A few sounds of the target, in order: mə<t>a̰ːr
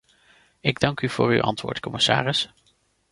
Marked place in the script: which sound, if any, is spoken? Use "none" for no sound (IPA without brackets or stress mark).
s